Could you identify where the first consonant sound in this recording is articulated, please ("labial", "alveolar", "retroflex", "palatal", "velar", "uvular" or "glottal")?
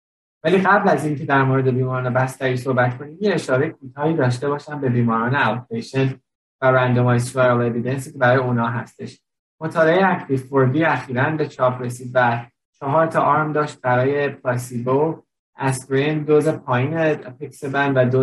labial